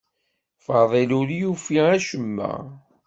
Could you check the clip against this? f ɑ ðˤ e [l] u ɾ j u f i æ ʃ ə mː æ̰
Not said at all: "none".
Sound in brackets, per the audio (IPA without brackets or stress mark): l